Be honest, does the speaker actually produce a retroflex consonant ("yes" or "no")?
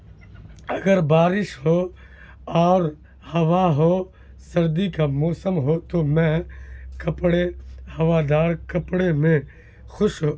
yes